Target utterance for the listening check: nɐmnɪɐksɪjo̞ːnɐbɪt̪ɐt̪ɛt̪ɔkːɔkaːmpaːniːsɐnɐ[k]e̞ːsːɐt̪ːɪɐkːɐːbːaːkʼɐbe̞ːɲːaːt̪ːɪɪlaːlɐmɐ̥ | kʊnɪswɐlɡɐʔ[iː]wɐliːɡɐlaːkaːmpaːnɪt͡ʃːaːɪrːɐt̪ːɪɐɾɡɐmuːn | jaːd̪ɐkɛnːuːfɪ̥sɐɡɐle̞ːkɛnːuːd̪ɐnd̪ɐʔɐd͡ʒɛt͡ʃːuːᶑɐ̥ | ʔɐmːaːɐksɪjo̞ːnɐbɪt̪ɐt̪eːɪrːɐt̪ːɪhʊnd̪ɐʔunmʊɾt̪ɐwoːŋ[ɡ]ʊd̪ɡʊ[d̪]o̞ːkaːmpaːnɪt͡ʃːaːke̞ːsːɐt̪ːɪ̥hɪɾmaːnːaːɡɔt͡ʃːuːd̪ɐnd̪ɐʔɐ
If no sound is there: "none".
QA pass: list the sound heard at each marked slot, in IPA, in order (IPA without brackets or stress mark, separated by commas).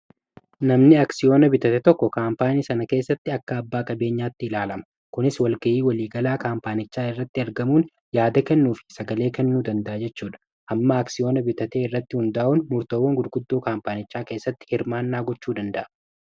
k, iː, ɡ, d̪ː